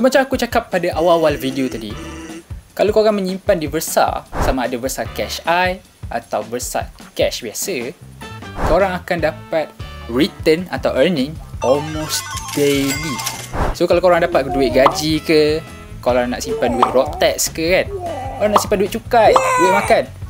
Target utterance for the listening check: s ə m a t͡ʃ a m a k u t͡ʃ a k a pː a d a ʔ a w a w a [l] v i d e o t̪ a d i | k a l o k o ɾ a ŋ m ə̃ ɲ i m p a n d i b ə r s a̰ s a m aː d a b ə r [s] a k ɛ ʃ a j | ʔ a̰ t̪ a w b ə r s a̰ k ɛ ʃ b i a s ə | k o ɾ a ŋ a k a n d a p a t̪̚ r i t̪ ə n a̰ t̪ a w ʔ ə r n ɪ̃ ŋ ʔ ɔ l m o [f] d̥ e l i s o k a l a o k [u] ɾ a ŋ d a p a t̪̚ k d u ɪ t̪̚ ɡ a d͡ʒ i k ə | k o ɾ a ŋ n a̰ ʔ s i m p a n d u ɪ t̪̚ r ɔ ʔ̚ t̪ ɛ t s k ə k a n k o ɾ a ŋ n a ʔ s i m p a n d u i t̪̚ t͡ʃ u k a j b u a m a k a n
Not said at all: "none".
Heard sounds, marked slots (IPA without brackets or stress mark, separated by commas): l, s, s, o